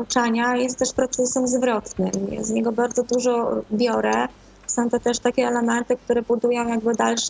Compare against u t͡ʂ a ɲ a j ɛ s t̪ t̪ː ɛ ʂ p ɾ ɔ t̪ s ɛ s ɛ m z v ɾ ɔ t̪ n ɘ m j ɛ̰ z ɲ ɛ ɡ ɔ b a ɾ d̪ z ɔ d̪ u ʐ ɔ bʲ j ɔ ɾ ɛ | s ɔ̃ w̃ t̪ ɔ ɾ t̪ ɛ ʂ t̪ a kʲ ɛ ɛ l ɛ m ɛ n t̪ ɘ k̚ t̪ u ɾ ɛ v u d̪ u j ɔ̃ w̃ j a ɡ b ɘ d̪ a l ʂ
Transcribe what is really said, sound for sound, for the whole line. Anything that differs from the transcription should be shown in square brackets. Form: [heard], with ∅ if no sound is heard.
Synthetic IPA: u t͡ʂ a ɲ a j ɛ s t̪ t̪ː ɛ ʂ p ɾ ɔ t̪ s ɛ s ɛ m z v ɾ ɔ t̪ n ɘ m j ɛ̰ z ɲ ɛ ɡ ɔ b a ɾ d̪ z ɔ d̪ u ʐ ɔ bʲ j ɔ ɾ ɛ | s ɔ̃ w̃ t̪ ɔ [∅] t̪ ɛ ʂ t̪ a kʲ ɛ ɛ l ɛ m ɛ n t̪ ɘ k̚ t̪ u ɾ ɛ [b] u d̪ u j ɔ̃ w̃ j a ɡ b ɘ d̪ a l ʂ